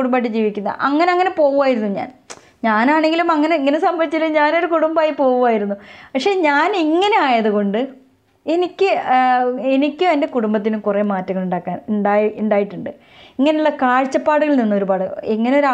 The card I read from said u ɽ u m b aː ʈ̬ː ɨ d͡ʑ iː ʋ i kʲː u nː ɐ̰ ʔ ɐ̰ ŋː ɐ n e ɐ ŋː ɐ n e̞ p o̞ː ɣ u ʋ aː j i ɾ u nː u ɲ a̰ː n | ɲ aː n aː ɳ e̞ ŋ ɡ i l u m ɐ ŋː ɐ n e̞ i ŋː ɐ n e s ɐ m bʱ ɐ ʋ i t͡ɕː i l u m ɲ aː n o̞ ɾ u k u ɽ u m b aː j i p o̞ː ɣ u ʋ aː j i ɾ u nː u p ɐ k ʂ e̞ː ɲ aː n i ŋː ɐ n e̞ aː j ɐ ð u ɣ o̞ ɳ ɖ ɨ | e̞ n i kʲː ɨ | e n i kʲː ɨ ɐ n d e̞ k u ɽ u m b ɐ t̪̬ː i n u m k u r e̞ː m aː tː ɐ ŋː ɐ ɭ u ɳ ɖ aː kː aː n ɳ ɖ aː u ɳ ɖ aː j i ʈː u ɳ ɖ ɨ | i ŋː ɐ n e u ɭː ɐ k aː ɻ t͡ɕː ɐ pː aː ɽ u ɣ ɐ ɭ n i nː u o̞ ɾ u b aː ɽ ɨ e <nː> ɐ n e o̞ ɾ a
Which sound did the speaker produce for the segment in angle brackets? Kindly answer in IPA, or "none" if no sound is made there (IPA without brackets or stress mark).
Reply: ŋː